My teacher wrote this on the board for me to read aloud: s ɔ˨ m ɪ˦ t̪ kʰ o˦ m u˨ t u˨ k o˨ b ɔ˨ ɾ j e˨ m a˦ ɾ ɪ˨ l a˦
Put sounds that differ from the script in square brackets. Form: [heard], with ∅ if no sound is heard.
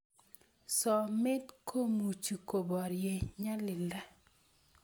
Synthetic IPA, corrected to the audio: s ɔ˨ m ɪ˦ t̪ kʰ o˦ m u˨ [t͡ʃ] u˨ k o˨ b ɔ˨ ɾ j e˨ [ɲ] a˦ [l] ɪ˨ l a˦